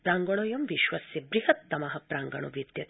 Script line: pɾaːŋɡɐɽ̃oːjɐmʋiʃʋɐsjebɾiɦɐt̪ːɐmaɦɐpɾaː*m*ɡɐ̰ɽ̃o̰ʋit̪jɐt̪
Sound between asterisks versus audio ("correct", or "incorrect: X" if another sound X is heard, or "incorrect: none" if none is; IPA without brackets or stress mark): incorrect: ŋ